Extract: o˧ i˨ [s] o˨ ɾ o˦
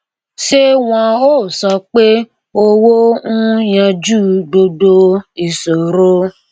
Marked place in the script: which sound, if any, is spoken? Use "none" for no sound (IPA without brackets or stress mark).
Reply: s